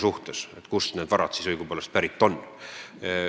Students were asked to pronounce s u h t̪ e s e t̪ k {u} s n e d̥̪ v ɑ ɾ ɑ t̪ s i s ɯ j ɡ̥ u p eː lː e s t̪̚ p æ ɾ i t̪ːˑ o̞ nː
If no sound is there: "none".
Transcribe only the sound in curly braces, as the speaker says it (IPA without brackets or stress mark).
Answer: u